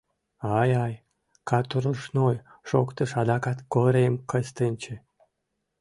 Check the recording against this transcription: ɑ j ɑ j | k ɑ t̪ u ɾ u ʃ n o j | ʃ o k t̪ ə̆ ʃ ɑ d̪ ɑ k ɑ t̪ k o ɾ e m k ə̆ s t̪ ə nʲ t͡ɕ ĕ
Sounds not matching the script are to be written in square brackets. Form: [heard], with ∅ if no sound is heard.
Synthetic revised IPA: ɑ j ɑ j | k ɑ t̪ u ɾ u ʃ n o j | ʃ o k t̪ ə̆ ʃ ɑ d̪ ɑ k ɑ t̪ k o ɾ e m k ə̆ s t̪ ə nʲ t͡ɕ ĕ